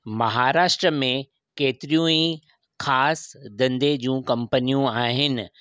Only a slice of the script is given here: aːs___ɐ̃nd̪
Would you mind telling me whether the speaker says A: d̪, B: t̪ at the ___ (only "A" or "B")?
A